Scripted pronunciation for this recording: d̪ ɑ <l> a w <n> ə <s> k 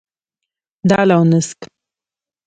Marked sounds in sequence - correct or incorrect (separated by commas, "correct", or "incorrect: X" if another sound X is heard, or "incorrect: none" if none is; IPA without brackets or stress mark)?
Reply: correct, correct, correct